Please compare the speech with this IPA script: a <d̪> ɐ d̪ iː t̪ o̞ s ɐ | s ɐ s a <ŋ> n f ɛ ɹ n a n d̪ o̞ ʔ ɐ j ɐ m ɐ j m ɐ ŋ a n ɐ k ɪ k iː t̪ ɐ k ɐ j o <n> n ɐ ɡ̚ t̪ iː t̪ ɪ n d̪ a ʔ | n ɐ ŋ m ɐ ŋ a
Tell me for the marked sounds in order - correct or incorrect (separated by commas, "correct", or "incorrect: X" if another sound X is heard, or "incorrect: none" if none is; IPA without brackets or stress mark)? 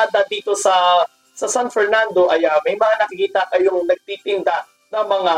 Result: correct, incorrect: none, incorrect: ŋ